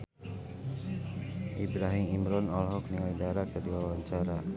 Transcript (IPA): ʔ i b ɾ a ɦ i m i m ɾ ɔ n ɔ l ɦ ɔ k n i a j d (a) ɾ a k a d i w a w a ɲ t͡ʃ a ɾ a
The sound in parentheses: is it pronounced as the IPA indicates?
yes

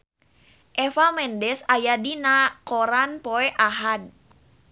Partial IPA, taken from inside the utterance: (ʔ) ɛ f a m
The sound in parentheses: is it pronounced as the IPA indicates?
yes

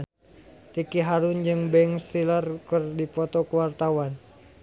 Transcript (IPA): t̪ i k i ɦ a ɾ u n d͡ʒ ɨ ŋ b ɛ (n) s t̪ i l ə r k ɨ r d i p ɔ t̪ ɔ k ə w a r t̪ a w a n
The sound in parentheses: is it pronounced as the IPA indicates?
no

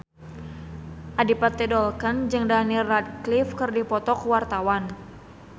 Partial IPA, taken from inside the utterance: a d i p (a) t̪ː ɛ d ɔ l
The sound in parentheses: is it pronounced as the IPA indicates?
yes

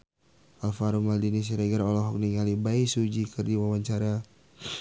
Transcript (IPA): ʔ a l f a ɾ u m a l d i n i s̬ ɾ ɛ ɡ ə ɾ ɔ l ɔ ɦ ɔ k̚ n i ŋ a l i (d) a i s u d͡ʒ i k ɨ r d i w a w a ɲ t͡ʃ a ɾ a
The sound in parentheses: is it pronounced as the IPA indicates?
no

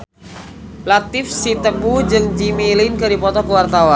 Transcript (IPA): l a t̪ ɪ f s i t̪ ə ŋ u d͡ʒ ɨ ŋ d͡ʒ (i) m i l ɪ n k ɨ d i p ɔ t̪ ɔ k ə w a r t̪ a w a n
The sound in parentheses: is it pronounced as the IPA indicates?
yes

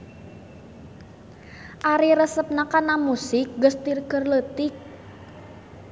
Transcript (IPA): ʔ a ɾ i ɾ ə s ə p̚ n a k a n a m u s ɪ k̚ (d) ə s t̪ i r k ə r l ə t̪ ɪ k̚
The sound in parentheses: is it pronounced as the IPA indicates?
no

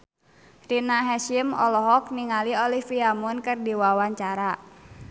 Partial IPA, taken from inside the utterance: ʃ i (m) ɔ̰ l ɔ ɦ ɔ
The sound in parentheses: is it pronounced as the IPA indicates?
yes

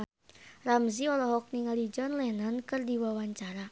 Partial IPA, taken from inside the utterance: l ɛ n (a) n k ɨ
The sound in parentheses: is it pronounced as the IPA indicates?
yes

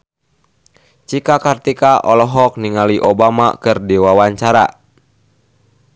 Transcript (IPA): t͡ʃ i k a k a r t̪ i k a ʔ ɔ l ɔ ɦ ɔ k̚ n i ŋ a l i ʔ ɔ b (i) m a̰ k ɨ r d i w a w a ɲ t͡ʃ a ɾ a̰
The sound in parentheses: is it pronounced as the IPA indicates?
no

